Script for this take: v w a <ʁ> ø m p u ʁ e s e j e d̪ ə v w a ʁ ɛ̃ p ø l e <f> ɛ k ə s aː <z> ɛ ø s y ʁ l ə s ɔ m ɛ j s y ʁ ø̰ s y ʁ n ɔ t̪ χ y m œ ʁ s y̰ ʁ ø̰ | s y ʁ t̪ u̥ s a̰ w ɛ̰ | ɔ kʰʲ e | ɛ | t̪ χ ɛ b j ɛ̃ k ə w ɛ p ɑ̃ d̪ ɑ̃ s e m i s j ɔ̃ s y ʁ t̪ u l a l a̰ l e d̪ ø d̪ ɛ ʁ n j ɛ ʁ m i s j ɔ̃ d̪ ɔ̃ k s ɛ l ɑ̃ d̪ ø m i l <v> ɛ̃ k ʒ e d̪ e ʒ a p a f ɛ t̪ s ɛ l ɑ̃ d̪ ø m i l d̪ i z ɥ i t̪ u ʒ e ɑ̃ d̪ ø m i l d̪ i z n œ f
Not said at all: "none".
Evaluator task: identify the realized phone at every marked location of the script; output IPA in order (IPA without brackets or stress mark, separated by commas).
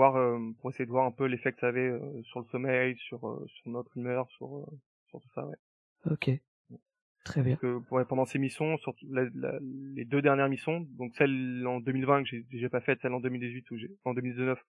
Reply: ʁ, f, v, v